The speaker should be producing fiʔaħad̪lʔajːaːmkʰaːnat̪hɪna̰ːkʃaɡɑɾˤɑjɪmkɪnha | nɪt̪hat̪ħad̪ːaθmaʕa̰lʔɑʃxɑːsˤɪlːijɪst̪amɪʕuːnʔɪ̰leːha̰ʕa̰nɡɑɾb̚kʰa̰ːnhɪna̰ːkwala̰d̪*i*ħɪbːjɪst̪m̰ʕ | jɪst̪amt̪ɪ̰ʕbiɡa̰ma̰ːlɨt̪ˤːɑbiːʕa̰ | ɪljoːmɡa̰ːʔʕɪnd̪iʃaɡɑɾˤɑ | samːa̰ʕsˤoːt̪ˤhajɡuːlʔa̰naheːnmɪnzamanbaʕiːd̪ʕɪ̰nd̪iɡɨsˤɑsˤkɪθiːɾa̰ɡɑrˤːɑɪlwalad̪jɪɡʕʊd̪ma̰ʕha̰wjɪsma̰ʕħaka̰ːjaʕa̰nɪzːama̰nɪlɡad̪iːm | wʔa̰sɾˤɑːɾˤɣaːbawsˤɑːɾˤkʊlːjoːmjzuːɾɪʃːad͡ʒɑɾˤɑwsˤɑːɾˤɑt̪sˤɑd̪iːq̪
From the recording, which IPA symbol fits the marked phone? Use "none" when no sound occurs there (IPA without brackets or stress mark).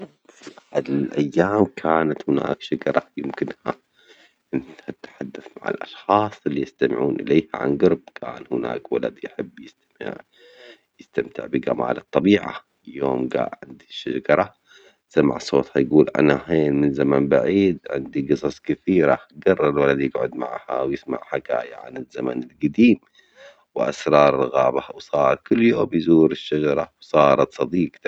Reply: j